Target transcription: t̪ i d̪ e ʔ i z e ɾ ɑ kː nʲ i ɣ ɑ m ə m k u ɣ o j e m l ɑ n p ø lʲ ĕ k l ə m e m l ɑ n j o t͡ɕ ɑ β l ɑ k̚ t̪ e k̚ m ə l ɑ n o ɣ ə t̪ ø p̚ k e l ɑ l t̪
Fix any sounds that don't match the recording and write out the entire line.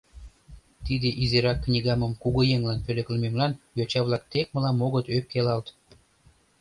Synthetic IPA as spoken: t̪ i d̪ e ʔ i z e ɾ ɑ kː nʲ i ɣ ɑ m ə m k u ɣ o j e ŋ l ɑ n p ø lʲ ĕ k l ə m e m l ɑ n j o t͡ɕ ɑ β l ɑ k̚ t̪ e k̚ m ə l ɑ m o ɣ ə t̪ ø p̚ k e l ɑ l t̪